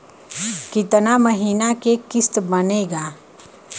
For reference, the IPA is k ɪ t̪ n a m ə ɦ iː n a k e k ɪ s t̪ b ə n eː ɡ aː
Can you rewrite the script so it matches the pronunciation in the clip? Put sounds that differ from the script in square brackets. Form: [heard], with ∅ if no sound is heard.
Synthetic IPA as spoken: k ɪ t̪ n a m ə ɦ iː n a k e k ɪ s t̪ b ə n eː ɡ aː

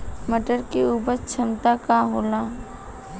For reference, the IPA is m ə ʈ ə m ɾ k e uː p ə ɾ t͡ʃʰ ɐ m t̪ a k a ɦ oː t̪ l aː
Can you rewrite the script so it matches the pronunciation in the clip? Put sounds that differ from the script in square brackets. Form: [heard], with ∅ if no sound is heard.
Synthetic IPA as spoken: m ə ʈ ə [∅] ɾ k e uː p ə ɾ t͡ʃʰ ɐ m t̪ a k a ɦ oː [∅] l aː

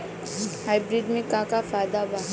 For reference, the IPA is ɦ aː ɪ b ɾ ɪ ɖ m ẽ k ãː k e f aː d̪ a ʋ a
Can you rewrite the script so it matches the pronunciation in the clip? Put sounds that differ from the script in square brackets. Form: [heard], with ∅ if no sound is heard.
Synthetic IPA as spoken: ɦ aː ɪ b ɾ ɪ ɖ m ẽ k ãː k [a] f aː d̪ a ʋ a

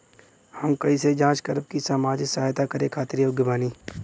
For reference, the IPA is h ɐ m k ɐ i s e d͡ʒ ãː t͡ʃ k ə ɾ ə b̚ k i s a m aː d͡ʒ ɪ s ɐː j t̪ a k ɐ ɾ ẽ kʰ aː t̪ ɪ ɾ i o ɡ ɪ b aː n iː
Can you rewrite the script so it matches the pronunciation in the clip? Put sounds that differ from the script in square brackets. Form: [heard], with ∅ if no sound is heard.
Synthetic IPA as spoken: h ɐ m k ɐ i s e d͡ʒ ãː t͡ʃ k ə ɾ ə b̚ k i s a m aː d͡ʒ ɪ s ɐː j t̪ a k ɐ ɾ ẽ kʰ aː t̪ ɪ ɾ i o ɡ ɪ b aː n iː

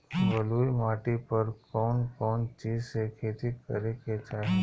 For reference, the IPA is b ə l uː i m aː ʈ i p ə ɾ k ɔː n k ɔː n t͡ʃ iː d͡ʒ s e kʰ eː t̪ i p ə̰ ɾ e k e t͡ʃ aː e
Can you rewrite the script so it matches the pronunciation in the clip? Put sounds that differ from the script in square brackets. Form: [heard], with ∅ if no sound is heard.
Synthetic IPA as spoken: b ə l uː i m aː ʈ i p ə ɾ k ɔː n k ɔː n t͡ʃ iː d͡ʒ s e kʰ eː t̪ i [k] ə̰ ɾ e k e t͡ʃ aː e

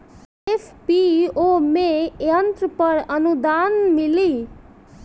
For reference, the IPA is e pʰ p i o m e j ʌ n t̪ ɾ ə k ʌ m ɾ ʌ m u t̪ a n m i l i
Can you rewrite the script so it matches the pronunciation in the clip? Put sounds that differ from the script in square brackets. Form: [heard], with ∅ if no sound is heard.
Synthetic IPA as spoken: e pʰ p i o m e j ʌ n t̪ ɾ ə [p] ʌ [∅] ɾ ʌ [n] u [d̪] a n m i l i

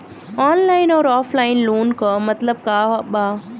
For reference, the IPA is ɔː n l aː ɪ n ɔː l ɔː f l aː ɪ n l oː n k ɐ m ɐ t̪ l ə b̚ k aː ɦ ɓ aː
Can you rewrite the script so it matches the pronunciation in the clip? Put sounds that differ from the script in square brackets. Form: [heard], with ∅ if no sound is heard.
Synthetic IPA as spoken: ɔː n l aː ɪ n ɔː [ɾ] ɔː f l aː ɪ n l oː n k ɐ m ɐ t̪ l ə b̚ k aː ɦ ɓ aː

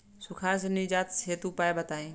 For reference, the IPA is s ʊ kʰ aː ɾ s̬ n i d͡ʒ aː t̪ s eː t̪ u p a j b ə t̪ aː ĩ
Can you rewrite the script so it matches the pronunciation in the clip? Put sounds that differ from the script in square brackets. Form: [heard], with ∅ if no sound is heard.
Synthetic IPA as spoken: s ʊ kʰ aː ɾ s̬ n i d͡ʒ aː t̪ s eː t̪ u p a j b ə t̪ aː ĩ

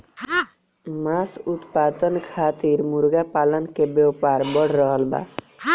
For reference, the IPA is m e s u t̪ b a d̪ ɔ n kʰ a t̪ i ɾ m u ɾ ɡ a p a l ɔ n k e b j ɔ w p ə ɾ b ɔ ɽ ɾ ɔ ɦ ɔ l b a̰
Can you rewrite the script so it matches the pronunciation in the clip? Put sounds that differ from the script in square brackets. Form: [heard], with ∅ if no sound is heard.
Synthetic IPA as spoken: m [a] s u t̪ [p] a d̪ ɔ n kʰ a t̪ i ɾ m u ɾ ɡ a p a l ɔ n k e b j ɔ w p [a] ɾ b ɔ ɽ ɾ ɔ ɦ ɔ l b a̰

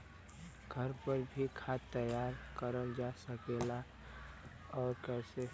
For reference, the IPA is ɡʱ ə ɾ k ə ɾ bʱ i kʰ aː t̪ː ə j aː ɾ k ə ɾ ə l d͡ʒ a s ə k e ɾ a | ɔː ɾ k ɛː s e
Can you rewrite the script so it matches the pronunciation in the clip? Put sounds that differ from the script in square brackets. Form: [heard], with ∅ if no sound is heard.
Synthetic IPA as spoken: ɡʱ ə ɾ [p] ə ɾ bʱ i kʰ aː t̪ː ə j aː ɾ k ə ɾ ə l d͡ʒ a s ə k e [l] a | ɔː ɾ k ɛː s e

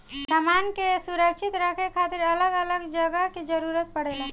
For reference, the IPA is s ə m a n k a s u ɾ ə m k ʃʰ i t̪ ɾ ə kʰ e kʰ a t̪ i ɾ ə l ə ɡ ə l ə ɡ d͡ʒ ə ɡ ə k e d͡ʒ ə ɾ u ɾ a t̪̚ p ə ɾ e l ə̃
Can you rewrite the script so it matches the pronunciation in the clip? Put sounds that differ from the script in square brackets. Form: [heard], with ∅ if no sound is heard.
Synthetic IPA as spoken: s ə m a n k [e] s u ɾ ə [∅] k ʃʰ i t̪ ɾ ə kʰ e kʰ a t̪ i ɾ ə l ə ɡ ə l ə ɡ d͡ʒ ə ɡ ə k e d͡ʒ ə ɾ u ɾ [ə] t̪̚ p ə [ɽ] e l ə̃

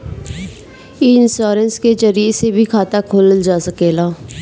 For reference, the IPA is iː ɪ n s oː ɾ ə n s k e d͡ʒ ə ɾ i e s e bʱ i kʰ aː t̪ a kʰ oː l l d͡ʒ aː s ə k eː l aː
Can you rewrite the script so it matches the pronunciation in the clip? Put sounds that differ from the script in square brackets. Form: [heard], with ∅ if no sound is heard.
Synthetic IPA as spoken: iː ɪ n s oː ɾ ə n s k e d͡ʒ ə ɾ i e s e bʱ i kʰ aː t̪ a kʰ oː l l d͡ʒ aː s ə k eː l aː

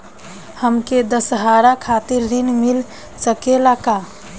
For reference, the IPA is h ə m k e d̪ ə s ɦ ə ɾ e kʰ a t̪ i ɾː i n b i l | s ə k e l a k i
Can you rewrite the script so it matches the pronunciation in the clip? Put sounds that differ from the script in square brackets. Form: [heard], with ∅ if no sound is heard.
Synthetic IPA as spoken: h ə m k e d̪ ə s ɦ [a] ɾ [a] kʰ a t̪ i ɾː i n [m] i l | s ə k e l a k [a]

